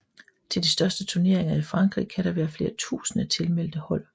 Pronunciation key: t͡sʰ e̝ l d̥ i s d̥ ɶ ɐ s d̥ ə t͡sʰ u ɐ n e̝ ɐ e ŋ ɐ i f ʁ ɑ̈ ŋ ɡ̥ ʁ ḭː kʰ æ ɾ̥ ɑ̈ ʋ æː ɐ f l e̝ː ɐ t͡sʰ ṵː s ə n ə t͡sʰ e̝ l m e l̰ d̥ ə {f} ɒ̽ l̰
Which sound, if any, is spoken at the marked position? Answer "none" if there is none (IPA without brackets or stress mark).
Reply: h